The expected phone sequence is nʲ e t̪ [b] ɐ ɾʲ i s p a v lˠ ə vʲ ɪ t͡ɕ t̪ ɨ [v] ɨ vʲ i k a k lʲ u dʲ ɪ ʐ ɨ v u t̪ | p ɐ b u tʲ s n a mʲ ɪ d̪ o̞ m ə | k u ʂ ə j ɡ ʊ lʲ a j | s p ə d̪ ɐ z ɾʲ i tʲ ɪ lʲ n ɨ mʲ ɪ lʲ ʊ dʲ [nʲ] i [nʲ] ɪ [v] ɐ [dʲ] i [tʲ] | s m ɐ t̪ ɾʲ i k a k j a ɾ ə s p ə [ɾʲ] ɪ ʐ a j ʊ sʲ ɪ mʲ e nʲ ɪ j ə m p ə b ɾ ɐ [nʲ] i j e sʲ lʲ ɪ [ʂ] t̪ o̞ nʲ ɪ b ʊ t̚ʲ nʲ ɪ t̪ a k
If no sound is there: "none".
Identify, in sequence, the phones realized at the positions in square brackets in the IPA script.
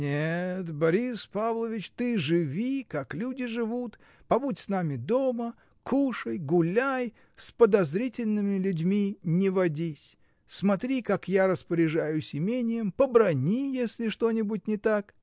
b, ʐ, mʲ, nʲ, v, dʲ, sʲ, ɾʲ, nʲ, ʂ

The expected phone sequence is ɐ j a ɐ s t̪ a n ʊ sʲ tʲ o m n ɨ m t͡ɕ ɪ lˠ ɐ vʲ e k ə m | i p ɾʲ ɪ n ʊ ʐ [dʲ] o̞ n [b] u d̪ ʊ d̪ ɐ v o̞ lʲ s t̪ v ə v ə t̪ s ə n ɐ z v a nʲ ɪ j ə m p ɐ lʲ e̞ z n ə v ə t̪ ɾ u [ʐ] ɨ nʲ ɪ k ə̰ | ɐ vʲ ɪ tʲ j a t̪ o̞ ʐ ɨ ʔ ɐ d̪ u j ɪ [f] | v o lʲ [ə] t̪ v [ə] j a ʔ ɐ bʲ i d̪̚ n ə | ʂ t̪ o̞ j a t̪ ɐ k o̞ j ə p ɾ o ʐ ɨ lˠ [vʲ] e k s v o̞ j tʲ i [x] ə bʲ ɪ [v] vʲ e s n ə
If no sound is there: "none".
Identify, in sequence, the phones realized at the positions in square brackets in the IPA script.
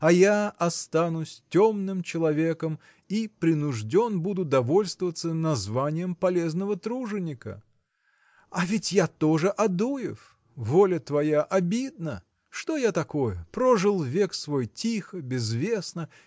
dʲ, b, ʐ, f, ə, ɐ, vʲ, x, z

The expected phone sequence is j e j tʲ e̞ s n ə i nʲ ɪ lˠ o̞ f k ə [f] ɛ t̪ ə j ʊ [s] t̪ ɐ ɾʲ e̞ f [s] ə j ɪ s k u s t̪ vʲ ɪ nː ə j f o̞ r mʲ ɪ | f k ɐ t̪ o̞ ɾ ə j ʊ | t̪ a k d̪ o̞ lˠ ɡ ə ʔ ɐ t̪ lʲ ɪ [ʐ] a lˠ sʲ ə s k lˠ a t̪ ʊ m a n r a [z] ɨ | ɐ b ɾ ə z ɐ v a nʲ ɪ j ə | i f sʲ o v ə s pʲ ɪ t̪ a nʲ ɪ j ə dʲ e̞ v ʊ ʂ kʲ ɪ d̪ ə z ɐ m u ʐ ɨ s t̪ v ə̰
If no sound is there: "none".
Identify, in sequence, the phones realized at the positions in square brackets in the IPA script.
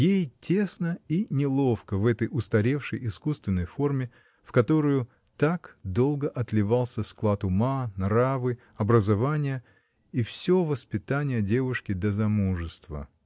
v, s, ʂ, v, v

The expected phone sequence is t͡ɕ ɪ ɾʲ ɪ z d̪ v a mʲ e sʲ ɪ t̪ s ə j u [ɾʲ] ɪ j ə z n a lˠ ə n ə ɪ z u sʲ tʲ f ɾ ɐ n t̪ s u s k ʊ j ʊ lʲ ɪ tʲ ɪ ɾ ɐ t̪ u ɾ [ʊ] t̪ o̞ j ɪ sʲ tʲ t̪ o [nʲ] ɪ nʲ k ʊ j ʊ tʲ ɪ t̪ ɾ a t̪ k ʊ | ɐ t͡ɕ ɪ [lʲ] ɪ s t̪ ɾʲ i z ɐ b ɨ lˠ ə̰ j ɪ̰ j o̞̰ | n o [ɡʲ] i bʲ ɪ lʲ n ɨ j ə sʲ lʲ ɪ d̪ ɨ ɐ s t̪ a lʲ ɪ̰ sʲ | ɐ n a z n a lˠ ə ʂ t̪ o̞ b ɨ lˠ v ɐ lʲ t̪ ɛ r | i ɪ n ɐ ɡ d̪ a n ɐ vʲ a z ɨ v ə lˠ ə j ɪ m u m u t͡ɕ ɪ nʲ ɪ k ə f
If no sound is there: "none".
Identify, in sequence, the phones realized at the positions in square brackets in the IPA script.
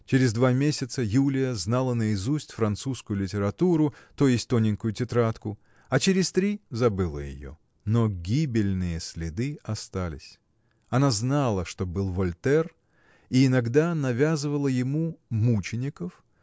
lʲ, ʊ, nʲ, ɾʲ, ɡʲ

